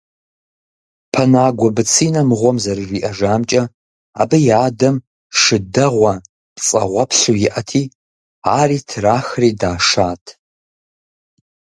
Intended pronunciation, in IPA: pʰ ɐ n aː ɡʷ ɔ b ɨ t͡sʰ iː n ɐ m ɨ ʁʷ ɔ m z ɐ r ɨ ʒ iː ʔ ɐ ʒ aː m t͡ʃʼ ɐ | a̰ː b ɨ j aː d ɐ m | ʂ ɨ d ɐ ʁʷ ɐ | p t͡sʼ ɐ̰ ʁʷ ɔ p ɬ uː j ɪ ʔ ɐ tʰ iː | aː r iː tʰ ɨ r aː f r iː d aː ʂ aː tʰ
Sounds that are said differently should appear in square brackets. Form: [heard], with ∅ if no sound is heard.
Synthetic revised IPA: pʰ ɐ n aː ɡʷ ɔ b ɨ t͡sʰ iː n ɐ m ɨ ʁʷ ɔ m z ɐ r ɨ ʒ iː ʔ ɐ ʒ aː m t͡ʃʼ ɐ | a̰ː b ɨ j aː d ɐ m | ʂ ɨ d ɐ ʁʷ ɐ | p t͡sʼ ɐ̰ ʁʷ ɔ p ɬ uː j ɪ ʔ ɐ tʰ iː | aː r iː tʰ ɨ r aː [x] r iː d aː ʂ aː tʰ